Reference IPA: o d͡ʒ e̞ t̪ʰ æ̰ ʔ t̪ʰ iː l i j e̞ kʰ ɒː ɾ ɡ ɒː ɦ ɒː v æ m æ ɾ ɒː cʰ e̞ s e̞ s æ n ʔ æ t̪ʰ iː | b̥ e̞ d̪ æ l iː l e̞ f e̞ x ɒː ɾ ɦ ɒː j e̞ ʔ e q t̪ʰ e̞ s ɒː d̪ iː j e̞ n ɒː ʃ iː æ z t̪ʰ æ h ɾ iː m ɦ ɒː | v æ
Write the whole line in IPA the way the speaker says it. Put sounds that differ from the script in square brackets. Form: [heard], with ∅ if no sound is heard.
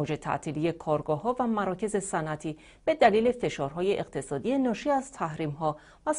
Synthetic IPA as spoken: o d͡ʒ e̞ t̪ʰ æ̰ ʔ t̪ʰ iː l i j e̞ kʰ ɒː ɾ ɡ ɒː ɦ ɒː v æ m æ ɾ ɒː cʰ e̞ [z] e̞ s æ n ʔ æ t̪ʰ iː | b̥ e̞ d̪ æ l iː l e̞ f e̞ [ʃ] ɒː ɾ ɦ ɒː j e̞ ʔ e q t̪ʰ e̞ s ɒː d̪ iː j e̞ n ɒː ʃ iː æ z t̪ʰ æ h ɾ iː m ɦ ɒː | v æ

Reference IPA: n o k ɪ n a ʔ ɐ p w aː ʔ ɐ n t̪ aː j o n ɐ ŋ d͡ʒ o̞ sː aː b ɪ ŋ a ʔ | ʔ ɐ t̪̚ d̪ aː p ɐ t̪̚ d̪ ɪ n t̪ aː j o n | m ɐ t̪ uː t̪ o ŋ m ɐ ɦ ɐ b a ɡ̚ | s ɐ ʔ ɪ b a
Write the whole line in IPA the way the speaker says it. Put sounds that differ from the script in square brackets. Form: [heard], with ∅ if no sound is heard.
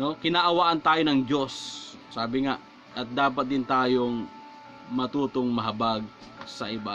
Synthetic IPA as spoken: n o k ɪ n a ʔ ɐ [∅] w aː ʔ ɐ n t̪ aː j o n ɐ ŋ d͡ʒ o̞ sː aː b ɪ ŋ a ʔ | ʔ ɐ t̪̚ d̪ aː p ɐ t̪̚ d̪ ɪ n t̪ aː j o [ŋ] | m ɐ t̪ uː t̪ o ŋ m ɐ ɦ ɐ b a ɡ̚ | s ɐ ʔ ɪ b a

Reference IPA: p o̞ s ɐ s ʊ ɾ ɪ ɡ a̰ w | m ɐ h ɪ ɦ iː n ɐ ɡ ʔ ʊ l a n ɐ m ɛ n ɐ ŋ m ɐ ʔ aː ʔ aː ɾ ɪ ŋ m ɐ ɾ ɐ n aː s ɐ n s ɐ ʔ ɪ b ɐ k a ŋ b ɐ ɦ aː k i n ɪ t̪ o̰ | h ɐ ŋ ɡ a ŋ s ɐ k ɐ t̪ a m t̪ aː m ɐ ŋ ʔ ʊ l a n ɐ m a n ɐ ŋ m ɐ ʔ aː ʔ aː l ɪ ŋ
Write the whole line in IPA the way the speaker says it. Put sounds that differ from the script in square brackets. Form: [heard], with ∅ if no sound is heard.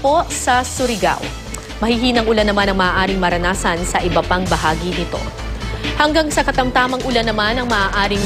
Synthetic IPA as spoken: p o̞ s ɐ s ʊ ɾ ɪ ɡ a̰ w | m ɐ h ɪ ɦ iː n ɐ [ŋ] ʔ ʊ l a n ɐ m [a] n ɐ ŋ m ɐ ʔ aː ʔ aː ɾ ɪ ŋ m ɐ ɾ ɐ n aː s ɐ n s ɐ ʔ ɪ b ɐ [p] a ŋ b ɐ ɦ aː [ɡ] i n ɪ t̪ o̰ | h ɐ ŋ ɡ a ŋ s ɐ k ɐ t̪ [ɐ] m t̪ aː m ɐ ŋ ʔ ʊ l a n ɐ m a n ɐ ŋ m ɐ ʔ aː ʔ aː [ɾ] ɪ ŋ

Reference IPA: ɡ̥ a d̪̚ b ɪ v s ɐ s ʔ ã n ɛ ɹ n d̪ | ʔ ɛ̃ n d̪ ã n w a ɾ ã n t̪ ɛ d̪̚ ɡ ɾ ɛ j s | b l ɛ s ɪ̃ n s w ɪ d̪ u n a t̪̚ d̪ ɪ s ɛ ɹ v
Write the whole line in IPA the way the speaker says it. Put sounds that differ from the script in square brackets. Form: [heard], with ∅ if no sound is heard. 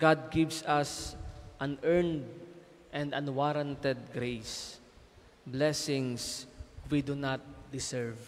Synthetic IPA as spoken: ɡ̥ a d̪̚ [ɡ] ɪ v s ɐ s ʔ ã n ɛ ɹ n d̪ | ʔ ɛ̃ n d̪ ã n w a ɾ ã n t̪ ɛ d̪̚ ɡ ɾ [e] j s | b l ɛ s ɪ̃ [ŋ] s w [i] d̪ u n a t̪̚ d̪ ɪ s ɛ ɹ v

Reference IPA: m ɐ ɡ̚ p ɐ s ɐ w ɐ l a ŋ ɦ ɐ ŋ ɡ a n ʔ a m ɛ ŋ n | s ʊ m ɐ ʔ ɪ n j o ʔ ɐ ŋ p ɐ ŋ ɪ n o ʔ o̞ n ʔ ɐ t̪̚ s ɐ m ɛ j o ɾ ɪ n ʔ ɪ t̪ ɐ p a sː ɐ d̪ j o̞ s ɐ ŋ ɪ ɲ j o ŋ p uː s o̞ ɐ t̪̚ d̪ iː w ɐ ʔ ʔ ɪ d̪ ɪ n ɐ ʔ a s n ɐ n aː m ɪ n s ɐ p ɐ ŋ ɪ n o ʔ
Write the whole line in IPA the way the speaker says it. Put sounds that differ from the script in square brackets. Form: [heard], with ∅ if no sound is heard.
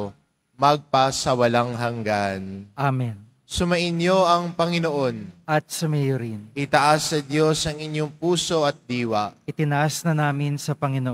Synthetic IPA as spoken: m ɐ ɡ̚ p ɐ s ɐ w ɐ l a ŋ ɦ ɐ ŋ ɡ a n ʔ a m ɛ [∅] n | s ʊ m ɐ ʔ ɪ n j o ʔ ɐ ŋ p ɐ ŋ ɪ n o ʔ o̞ n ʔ ɐ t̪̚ s ɐ m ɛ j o ɾ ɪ n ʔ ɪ t̪ ɐ [ʔ] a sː ɐ d̪ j o̞ s ɐ ŋ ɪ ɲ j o ŋ p uː s o̞ ɐ t̪̚ d̪ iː w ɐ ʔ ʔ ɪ [t̪] ɪ n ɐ ʔ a s n ɐ n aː m ɪ n s ɐ p ɐ ŋ ɪ n o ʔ

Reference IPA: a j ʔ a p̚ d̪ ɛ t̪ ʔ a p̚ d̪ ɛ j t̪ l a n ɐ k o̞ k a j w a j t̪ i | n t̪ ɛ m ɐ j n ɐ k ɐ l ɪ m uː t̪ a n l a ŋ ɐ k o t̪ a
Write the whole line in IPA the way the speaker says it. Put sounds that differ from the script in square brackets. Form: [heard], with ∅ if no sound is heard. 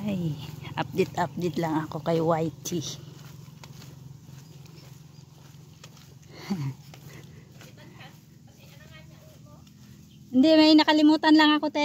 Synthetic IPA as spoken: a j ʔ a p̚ d̪ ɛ t̪ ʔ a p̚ d̪ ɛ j t̪ l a [ŋ] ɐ k o̞ k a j w a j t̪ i | n [d̪] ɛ m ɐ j n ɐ k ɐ l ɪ m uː t̪ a n l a ŋ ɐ k o t̪ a

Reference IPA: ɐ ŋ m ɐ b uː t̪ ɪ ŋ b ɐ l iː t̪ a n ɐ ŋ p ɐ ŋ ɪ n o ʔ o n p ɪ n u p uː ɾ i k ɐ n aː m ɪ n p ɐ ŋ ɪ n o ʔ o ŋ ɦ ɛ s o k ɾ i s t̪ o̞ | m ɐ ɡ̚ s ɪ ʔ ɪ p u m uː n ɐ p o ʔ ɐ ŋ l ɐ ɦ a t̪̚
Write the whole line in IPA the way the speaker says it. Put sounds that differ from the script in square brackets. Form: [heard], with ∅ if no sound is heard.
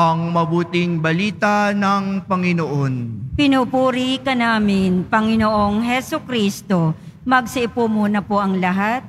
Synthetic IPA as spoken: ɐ ŋ m ɐ b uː t̪ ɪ ŋ b ɐ l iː t̪ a n ɐ ŋ p ɐ ŋ ɪ n o ʔ o n p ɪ n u p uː ɾ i k ɐ n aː m ɪ n p ɐ ŋ ɪ n o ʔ o ŋ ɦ ɛ s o k ɾ i s t̪ o̞ | m ɐ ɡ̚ s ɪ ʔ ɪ p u m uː n ɐ p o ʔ ɐ ŋ l ɐ ɦ a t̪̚

